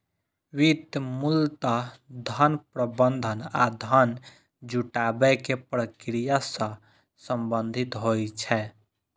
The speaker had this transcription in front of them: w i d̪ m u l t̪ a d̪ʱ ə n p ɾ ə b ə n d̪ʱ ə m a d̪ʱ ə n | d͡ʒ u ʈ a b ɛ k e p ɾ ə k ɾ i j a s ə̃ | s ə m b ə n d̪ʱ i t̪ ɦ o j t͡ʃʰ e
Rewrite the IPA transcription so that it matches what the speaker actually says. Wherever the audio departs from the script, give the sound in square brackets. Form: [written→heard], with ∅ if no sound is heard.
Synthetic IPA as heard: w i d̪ m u l t̪ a d̪ʱ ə n p ɾ ə b ə n d̪ʱ ə [m→n] a d̪ʱ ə n | d͡ʒ u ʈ a b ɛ k e p ɾ ə k ɾ i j a s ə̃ | s ə m b ə n d̪ʱ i t̪ ɦ o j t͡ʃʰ [e→ɛ]